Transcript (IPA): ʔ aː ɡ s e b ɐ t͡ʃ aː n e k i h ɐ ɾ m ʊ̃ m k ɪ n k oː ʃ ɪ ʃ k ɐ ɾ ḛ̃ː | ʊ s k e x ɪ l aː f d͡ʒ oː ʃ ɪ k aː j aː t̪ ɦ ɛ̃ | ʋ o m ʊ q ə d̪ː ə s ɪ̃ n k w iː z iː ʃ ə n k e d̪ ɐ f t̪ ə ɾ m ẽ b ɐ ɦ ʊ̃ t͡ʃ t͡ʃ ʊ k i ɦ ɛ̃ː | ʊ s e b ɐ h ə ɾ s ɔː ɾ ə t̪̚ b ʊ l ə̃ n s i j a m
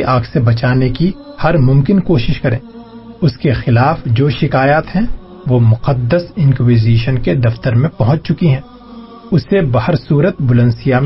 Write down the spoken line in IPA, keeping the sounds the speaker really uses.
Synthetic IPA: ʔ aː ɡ s e b ɐ t͡ʃ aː n e k i h ɐ ɾ m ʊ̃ m k ɪ n k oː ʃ ɪ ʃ k ɐ ɾ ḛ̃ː | ʊ s k e x ɪ l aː f d͡ʒ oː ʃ ɪ k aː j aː t̪ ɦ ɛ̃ | ʋ o m ʊ q ə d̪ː ə s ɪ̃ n k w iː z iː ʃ ə n k e d̪ ɐ f t̪ ə ɾ m ẽ p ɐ ɦ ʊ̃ t͡ʃ t͡ʃ ʊ k i ɦ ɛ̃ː | ʊ s e b ɐ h ə ɾ s uː ɾ ə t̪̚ b ʊ l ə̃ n s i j a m